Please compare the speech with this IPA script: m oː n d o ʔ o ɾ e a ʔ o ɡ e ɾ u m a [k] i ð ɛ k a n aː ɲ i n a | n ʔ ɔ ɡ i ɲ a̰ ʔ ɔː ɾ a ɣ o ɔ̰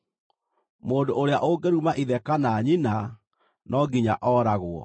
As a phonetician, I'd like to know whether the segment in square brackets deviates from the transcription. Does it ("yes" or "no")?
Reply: yes